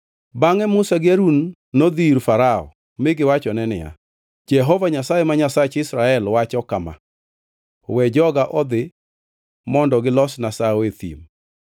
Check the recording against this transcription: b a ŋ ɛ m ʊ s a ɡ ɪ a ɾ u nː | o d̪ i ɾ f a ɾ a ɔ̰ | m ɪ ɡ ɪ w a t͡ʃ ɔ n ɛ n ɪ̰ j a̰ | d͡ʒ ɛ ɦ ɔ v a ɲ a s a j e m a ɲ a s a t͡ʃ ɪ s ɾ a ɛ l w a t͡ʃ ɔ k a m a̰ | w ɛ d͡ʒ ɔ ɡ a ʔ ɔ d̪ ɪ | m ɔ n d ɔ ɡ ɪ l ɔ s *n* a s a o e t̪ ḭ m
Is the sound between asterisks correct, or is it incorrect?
correct